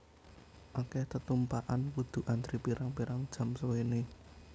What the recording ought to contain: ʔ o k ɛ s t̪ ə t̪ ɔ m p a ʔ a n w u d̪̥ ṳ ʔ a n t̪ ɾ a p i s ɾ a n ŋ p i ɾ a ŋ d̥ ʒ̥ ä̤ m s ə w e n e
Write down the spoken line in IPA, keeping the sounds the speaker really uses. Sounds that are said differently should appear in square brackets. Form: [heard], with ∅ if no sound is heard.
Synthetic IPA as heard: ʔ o k ɛ [h] t̪ ə t̪ [u] m p a ʔ a n w u d̪̥ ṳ ʔ a n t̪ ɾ [i] p i [∅] ɾ a [∅] ŋ p i ɾ a ŋ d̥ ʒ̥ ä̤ m s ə w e n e